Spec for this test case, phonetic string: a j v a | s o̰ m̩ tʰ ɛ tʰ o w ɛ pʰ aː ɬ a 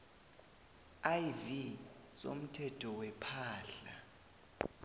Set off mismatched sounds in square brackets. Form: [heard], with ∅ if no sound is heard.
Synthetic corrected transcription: a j v [i] | s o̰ m̩ tʰ ɛ tʰ [ɔ] w ɛ pʰ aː ɬ a